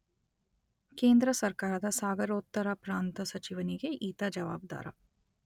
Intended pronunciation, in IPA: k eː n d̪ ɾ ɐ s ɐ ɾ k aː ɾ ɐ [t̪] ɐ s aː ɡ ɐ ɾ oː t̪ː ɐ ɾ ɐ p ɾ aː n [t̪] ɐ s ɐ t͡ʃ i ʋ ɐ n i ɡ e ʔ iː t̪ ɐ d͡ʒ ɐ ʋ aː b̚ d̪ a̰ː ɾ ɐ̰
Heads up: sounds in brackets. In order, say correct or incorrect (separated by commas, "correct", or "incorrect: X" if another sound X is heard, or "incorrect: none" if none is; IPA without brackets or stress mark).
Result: incorrect: d̪, correct